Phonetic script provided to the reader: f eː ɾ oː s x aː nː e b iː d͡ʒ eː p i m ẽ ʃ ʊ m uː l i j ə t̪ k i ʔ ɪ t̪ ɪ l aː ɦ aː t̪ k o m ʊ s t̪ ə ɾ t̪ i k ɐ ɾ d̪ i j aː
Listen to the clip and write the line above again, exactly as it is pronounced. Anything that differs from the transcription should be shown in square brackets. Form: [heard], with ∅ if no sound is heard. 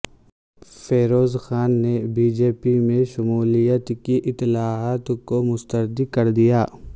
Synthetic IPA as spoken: f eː ɾ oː [z] x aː nː e b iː d͡ʒ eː p i m ẽ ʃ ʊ m uː l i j ə t̪ k i ʔ ɪ t̪ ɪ l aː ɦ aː t̪ k o m ʊ s t̪ ə ɾ [d̪] i k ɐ ɾ d̪ i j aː